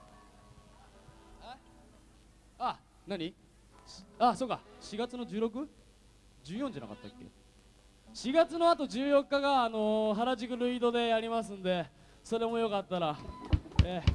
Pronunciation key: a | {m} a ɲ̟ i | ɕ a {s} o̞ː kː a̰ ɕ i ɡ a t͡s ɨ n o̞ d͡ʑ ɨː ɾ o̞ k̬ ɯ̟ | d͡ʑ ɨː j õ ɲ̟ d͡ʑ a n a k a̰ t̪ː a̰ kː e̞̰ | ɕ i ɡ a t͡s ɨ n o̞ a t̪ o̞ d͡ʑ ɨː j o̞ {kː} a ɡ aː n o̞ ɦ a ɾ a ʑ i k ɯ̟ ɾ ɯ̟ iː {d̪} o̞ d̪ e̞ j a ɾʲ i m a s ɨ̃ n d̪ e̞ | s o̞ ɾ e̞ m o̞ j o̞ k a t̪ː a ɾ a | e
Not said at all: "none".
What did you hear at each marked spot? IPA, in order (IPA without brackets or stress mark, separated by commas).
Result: n, s, kː, d̪